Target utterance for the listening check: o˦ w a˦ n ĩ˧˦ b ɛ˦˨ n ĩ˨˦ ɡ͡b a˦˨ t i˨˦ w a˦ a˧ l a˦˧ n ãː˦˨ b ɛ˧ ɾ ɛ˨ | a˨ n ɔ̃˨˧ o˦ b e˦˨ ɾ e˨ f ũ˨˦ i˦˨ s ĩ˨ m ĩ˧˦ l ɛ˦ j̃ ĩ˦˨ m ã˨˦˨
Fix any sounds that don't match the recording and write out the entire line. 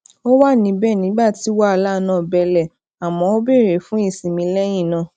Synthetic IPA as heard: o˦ w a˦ n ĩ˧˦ b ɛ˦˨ n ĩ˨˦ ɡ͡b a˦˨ t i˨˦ w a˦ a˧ l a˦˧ n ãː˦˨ b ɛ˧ l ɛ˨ | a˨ m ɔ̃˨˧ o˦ b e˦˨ ɾ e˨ f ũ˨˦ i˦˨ s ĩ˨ m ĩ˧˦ l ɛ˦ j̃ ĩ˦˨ n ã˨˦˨